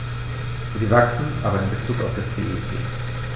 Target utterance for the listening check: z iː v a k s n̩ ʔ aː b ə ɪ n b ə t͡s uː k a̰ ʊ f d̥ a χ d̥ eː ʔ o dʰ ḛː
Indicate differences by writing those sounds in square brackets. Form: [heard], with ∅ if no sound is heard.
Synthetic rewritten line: z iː v a k s n̩ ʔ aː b [ɐ] ɪ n b ə t͡s uː k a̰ ʊ f d̥ a [s] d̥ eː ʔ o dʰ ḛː

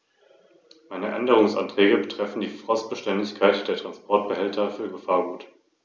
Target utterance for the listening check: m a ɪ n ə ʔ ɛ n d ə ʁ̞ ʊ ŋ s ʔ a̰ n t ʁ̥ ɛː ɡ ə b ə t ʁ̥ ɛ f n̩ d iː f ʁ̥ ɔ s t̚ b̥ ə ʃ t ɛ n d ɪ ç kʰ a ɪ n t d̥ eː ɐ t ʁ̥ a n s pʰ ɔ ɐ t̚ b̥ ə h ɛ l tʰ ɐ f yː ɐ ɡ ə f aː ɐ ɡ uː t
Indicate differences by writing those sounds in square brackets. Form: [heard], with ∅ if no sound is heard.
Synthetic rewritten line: m a ɪ n ə ʔ ɛ n d ə ʁ̞ ʊ ŋ s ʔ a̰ n t ʁ̥ ɛː ɡ ə b ə t ʁ̥ ɛ f n̩ d iː f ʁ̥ ɔ s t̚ b̥ ə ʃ t ɛ n d ɪ ç kʰ a ɪ [∅] t d̥ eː ɐ t ʁ̥ a n s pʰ ɔ ɐ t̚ b̥ ə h ɛ l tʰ ɐ f yː ɐ ɡ ə f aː ɐ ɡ uː t

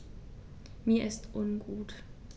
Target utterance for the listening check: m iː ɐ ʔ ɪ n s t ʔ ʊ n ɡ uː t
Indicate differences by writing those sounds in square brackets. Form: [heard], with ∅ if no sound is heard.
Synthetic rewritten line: m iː ɐ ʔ ɪ [∅] s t ʔ ʊ n ɡ uː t

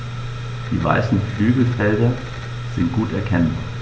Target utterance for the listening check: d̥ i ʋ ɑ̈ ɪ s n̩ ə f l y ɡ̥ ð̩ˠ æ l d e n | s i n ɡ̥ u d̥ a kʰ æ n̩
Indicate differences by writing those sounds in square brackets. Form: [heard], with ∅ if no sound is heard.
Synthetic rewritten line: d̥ i ʋ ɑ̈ ɪ s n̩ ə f l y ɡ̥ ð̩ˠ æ l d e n | s i n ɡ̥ u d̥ [æ] kʰ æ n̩

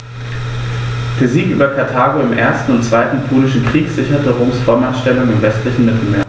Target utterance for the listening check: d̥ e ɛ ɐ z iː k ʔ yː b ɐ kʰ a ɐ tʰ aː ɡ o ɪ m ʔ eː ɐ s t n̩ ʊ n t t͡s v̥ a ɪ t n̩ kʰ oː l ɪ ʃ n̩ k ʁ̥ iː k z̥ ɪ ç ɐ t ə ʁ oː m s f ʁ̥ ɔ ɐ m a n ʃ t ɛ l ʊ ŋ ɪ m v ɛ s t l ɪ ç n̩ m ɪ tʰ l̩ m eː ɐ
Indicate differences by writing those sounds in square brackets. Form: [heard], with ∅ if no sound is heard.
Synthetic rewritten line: d̥ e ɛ ɐ z iː k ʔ yː b ɐ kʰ a ɐ tʰ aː ɡ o ɪ m ʔ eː ɐ s t n̩ ʊ n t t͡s v̥ a ɪ t n̩ [pʰ] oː l ɪ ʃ n̩ k ʁ̥ iː k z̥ ɪ ç ɐ t ə ʁ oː m s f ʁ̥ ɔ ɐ m a n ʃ t ɛ l ʊ ŋ ɪ m v ɛ s t l ɪ ç n̩ m ɪ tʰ l̩ m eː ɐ

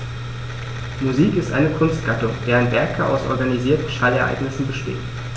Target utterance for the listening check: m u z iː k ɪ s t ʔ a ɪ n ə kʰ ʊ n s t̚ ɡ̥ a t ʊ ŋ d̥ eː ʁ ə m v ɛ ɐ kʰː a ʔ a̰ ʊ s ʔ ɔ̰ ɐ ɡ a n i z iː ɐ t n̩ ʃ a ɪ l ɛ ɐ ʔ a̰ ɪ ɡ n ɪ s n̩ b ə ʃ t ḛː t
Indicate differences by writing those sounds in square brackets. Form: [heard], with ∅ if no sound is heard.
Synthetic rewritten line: m u z iː k ɪ s t ʔ a ɪ n ə kʰ ʊ n s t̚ ɡ̥ a t ʊ ŋ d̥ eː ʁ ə [n] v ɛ ɐ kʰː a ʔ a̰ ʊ s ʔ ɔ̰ ɐ ɡ a n i z iː ɐ t n̩ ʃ a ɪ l ɛ ɐ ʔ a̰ ɪ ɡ n ɪ s n̩ b ə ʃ t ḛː t

